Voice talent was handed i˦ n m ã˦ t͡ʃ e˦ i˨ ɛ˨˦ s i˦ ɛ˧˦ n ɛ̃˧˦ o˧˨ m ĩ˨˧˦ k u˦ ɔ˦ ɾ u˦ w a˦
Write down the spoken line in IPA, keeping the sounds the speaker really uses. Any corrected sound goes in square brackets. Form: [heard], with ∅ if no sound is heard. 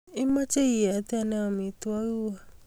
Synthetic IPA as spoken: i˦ [∅] m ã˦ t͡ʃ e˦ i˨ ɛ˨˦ [t] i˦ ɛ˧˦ n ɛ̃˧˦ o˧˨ m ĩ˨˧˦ [t] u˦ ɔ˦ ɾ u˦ w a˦